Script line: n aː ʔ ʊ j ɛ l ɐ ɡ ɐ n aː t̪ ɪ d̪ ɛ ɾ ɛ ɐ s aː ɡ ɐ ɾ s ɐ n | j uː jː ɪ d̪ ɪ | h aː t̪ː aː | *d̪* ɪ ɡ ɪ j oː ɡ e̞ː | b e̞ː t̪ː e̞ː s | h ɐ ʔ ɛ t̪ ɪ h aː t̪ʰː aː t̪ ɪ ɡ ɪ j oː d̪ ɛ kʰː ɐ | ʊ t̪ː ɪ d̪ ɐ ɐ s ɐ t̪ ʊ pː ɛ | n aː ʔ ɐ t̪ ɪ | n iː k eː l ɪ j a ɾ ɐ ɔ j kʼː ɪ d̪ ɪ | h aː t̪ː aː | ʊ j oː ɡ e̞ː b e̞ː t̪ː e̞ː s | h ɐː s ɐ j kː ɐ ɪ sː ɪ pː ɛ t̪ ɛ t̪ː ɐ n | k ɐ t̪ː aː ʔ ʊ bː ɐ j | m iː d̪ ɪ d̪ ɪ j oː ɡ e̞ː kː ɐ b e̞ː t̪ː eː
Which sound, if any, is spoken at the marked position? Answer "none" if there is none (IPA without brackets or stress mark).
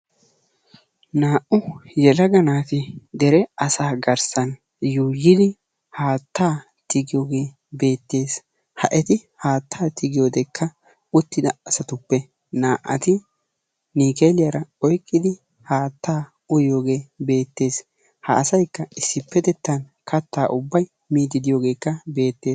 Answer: t̪